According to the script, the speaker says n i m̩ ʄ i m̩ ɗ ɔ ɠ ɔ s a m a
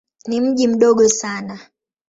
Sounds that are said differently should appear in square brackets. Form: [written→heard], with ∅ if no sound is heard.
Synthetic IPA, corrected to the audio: n i m̩ ʄ i m̩ ɗ ɔ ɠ ɔ s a [m→n] a